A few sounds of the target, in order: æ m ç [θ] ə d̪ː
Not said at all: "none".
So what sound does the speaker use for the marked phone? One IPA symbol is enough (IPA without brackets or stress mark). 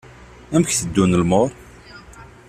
θ